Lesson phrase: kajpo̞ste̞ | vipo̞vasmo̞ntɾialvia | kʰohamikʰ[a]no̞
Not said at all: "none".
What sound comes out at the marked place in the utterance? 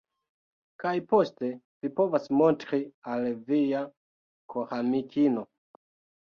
i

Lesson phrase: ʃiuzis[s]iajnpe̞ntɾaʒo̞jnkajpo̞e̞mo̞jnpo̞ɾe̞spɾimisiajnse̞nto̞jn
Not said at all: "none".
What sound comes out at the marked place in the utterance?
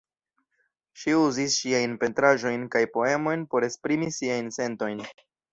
ʃ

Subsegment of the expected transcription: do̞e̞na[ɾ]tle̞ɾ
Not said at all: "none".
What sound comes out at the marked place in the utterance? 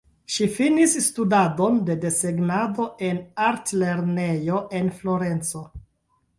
ɾ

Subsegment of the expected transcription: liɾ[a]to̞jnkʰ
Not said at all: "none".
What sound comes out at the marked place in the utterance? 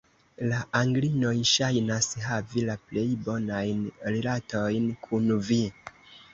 a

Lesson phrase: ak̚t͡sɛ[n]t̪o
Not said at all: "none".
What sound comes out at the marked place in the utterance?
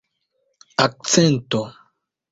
n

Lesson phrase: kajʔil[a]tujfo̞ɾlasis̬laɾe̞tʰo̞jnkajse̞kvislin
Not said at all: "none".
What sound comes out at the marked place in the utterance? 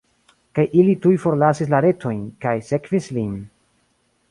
i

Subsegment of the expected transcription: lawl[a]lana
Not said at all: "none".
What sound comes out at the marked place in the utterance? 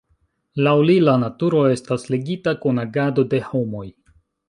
i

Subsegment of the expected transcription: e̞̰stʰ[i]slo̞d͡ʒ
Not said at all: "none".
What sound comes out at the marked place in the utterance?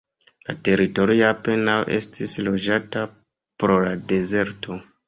i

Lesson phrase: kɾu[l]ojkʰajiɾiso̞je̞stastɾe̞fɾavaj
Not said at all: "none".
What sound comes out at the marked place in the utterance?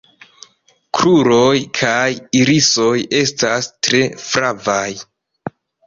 ɾ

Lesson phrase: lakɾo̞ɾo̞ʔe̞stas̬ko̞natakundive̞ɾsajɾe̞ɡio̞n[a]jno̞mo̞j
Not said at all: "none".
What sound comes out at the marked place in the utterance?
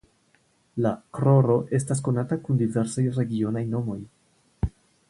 a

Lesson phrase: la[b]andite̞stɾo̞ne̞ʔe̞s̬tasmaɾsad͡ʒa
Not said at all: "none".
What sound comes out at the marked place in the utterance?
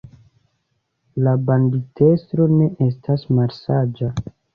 b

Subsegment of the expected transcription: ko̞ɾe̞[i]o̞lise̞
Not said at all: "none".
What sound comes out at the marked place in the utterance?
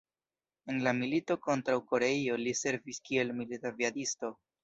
i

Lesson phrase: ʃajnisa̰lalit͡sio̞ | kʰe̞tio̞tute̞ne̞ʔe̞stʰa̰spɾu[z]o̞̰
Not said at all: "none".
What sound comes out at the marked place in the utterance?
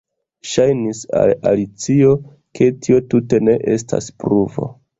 v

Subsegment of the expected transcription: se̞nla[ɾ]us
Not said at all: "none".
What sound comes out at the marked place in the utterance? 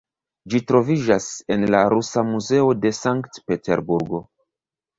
ɾ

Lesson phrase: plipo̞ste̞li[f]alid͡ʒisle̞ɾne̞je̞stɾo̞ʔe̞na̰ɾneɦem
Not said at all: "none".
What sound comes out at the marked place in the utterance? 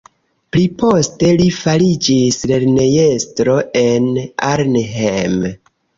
f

